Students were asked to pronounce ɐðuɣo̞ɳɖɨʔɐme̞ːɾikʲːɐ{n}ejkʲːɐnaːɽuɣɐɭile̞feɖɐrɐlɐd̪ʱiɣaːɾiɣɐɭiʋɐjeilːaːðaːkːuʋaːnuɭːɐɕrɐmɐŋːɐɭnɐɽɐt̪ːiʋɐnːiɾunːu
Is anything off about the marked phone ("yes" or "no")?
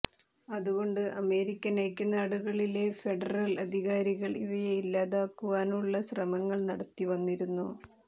no